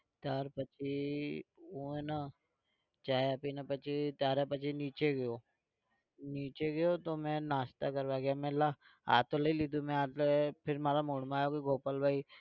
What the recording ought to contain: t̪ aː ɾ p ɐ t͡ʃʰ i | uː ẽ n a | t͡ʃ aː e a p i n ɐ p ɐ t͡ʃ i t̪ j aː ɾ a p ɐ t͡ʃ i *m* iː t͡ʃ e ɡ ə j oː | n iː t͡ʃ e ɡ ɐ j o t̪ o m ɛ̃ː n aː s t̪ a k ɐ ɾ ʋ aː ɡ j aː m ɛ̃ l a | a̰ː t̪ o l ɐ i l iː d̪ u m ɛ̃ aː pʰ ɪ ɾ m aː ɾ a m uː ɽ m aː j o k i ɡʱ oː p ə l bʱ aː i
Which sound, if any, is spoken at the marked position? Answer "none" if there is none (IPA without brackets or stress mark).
n